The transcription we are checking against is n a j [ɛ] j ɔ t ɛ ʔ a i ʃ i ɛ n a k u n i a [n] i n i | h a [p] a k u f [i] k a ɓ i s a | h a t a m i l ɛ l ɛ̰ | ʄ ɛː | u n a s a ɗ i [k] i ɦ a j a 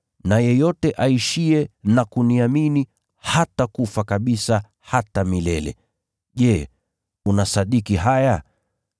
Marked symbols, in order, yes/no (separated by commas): yes, no, no, no, yes